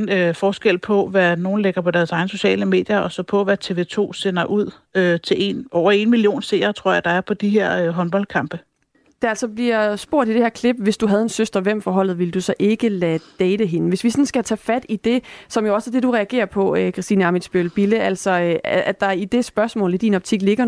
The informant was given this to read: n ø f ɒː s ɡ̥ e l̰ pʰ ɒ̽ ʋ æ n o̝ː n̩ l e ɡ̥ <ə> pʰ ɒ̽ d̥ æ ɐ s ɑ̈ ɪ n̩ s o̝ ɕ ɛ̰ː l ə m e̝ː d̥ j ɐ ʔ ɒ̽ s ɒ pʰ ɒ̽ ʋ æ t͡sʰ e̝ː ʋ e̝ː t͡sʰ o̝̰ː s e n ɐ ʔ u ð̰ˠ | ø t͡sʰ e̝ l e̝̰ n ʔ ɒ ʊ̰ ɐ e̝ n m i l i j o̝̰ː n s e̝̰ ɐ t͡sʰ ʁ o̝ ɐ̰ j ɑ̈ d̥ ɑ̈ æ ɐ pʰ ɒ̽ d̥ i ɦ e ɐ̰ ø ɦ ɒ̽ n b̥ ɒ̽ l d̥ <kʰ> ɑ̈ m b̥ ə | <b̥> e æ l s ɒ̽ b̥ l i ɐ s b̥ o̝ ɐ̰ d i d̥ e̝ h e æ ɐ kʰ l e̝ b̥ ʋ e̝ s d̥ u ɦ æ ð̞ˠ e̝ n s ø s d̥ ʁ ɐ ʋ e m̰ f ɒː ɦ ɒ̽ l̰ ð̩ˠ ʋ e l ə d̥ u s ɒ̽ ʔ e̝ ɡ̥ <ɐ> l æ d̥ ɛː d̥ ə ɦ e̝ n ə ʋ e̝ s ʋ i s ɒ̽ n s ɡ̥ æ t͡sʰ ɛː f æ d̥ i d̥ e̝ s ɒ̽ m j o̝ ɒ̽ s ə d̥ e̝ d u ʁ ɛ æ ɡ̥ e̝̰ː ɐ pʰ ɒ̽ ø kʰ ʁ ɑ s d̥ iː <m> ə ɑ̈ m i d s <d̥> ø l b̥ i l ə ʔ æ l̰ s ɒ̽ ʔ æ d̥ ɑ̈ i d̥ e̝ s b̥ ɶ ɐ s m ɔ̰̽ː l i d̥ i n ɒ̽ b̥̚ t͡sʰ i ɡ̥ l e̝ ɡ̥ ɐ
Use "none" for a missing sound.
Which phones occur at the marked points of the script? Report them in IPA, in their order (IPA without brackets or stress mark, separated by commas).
ɐ, kʰ, d̥, ə, n, b̥